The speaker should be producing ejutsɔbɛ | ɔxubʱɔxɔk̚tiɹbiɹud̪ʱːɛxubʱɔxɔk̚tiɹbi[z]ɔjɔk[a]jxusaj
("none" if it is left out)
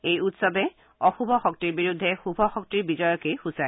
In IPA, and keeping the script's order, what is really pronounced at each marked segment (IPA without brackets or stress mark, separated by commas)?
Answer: z, e